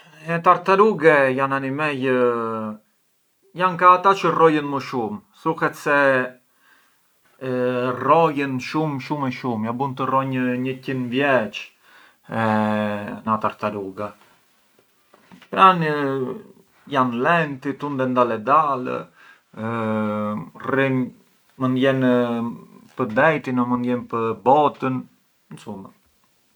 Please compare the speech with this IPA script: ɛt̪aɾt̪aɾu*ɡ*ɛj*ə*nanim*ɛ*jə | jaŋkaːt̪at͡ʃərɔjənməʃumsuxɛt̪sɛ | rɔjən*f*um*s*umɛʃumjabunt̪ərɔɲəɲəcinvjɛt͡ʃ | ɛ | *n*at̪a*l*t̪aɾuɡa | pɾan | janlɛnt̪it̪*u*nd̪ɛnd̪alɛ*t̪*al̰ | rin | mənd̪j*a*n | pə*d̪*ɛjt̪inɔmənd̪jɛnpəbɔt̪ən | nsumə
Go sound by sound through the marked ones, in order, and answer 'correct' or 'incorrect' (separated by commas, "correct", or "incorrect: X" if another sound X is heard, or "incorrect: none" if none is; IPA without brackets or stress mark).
correct, incorrect: a, correct, incorrect: ʃ, incorrect: ʃ, correct, incorrect: ɾ, correct, incorrect: d̪, incorrect: ɛ, correct